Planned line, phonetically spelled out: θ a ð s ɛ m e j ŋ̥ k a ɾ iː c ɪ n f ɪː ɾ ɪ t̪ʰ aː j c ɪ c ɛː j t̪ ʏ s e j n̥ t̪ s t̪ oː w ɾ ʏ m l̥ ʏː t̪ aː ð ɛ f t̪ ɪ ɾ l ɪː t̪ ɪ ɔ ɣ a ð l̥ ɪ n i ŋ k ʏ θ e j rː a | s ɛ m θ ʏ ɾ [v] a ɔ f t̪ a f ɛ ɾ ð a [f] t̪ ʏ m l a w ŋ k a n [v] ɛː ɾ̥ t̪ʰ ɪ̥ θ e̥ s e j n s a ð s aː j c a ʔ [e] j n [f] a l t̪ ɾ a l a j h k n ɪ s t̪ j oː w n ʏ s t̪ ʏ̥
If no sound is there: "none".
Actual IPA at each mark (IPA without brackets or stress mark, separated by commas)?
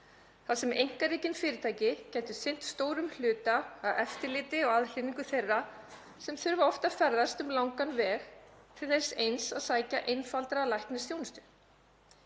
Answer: v, s, v, e, f